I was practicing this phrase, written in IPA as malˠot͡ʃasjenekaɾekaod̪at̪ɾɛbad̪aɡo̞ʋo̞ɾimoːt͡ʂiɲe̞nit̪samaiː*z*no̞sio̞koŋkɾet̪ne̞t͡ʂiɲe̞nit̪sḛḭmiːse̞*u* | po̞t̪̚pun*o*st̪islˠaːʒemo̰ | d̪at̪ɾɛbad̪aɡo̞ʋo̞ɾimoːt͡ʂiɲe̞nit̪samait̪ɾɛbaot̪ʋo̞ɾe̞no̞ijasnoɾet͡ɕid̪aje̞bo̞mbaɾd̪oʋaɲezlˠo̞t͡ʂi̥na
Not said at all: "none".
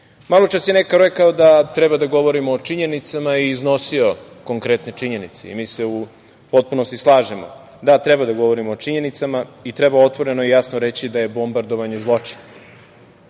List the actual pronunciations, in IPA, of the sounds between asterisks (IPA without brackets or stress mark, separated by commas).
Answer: z, u, o